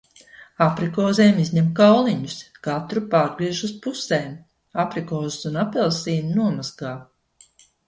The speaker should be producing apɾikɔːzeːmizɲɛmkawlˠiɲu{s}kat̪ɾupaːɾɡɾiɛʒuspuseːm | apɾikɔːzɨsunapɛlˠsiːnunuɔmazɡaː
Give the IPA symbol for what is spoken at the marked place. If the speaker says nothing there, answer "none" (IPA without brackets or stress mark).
s